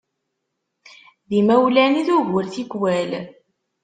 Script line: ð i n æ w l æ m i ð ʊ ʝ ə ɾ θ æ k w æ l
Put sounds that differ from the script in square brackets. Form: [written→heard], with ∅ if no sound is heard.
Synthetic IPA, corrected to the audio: ð i [n→m] æ w l æ [m→n] i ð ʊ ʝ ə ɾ θ [æ→i] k w æ l

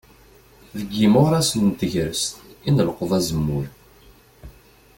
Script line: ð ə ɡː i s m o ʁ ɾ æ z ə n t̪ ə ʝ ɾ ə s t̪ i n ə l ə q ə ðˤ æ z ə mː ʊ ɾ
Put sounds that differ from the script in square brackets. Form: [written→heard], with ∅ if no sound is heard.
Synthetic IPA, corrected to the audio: ð ə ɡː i [s→∅] m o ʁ ɾ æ [z→s] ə n t̪ ə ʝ ɾ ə s t̪ i n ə l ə q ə ðˤ æ z ə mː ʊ ɾ

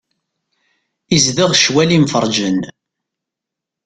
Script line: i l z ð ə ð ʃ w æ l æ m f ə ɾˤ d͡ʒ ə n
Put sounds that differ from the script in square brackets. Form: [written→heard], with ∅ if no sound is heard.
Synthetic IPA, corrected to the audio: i [l→∅] z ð ə [ð→ʁ] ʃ w æ l [æ→i] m f ə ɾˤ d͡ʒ ə n

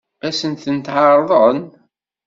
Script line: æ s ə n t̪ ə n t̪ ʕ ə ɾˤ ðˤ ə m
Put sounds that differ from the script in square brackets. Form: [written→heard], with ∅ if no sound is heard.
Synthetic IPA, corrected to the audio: æ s ə n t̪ ə n t̪ ʕ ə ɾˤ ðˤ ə [m→n]

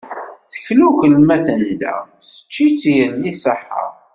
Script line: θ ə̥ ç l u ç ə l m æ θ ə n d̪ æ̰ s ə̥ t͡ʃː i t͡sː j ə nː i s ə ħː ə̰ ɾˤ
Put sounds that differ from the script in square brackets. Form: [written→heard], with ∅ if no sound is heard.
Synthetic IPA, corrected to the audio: θ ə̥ ç l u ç ə l m æ θ ə n d̪ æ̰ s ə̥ t͡ʃː i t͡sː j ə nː i s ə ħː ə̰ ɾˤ

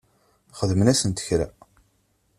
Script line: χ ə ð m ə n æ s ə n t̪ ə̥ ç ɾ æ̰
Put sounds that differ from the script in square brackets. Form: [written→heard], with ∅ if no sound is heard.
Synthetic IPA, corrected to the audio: χ ə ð m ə n æ s ə n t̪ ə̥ ç ɾ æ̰

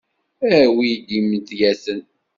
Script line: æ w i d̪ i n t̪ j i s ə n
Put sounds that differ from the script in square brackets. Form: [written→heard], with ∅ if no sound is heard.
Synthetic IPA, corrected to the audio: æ w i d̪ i [n→m] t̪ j [i→æ] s ə n

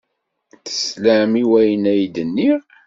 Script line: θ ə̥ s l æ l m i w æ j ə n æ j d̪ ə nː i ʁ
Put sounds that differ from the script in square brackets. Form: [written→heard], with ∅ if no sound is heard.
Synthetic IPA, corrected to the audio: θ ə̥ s l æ [l→∅] m i w æ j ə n æ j d̪ ə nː i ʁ

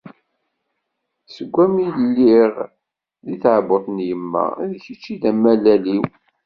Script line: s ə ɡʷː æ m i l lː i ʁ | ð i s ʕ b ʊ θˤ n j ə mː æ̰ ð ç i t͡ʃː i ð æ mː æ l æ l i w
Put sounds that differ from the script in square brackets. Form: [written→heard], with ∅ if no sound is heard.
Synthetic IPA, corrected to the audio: s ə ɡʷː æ m i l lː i ʁ | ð i [s→θ] ʕ b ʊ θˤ n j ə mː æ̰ ð ç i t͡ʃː i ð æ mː æ l æ l i w

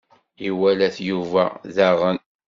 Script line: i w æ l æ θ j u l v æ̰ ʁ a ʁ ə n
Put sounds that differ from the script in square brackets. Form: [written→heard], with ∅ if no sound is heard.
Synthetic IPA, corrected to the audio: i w æ l æ θ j u [l→∅] v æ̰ [ʁ→ð] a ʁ ə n

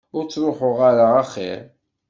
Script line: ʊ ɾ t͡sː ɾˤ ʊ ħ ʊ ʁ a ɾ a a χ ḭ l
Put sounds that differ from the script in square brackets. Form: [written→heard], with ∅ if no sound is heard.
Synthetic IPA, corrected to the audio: ʊ ɾ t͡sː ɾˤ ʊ ħ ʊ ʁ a ɾ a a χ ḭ [l→ɾ]

